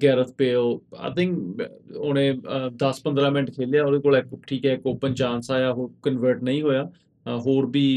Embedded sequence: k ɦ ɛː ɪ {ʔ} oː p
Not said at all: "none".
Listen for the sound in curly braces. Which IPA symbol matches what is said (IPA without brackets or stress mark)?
k